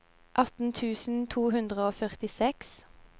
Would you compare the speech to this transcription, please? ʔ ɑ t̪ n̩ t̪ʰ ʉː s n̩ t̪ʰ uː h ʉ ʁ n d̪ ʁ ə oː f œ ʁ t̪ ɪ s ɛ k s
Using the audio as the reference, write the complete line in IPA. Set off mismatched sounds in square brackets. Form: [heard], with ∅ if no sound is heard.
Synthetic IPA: ʔ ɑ t̪ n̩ t̪ʰ ʉː s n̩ t̪ʰ uː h ʉ [∅] n d̪ ʁ ə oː f œ ʁ t̪ ɪ s ɛ k s